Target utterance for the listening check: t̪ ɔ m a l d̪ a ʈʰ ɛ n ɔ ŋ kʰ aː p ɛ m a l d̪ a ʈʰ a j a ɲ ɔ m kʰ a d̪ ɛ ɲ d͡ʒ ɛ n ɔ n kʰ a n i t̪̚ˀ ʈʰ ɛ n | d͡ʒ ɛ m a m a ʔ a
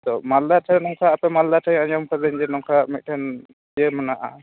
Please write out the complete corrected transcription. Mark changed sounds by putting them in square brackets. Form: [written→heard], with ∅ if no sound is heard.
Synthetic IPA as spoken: t̪ ɔ m a l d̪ a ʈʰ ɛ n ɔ ŋ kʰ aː p ɛ m a l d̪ a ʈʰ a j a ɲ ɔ m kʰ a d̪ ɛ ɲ d͡ʒ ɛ n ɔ [n→ŋ] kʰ a [n→m] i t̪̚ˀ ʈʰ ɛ n | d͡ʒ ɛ m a [m→n] a ʔ a